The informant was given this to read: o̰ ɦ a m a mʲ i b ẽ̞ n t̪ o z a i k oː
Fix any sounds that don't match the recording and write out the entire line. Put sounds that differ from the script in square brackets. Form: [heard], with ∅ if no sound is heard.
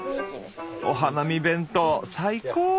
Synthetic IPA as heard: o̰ ɦ a [n] a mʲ i b ẽ̞ n t̪ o [s] a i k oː